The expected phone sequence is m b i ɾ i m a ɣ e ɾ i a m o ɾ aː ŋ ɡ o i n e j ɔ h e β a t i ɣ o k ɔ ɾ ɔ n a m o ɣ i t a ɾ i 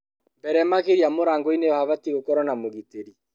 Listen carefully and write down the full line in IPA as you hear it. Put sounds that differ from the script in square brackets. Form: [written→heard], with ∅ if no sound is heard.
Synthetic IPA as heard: m b [i→ɛ] ɾ [i→ɛ] m a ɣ e ɾ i a m o ɾ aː ŋ ɡ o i n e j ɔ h [e→a] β a t i ɣ o k ɔ ɾ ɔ n a m o ɣ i t [a→e] ɾ i